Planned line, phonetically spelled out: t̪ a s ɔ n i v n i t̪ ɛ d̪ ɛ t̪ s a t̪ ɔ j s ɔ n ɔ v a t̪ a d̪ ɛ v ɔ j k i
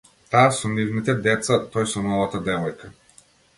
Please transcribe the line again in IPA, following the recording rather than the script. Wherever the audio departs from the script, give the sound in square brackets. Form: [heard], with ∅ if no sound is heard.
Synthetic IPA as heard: t̪ a s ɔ n i v n i t̪ ɛ d̪ ɛ t̪ s a t̪ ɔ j s ɔ n ɔ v a t̪ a d̪ ɛ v ɔ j k [a]